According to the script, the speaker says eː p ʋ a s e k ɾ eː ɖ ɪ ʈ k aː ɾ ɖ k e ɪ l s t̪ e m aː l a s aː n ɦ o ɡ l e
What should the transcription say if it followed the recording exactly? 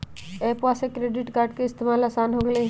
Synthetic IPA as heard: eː p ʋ a s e k ɾ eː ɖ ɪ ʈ k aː ɾ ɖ k e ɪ s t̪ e m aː l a s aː n ɦ o ɡ l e